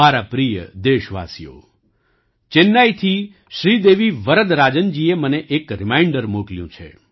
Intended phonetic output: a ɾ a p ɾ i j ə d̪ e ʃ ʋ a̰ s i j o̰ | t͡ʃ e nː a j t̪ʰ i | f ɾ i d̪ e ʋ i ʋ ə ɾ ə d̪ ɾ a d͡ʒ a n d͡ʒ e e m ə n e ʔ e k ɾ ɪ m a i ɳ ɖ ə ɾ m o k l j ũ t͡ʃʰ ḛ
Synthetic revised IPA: a ɾ a p ɾ i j ə d̪ e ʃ ʋ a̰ s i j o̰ | t͡ʃ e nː a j t̪ʰ i | ʃ ɾ i d̪ e ʋ i ʋ ə ɾ ə d̪ ɾ a d͡ʒ ə n d͡ʒ i e m ə n e ʔ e k ɾ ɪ m a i ɳ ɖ ə ɾ m o k l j ũ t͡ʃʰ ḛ